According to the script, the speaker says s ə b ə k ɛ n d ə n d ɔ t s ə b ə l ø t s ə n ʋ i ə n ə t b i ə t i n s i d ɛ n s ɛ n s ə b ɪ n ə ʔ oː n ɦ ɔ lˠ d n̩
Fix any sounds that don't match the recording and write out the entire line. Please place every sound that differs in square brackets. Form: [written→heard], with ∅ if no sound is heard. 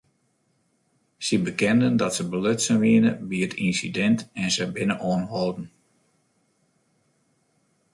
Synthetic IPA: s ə b ə k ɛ n d ə n d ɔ t s ə b ə l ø t s ə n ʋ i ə n ə [t→∅] b i ə t i n s i d ɛ n [s→t] ɛ n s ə b ɪ n ə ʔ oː n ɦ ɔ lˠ d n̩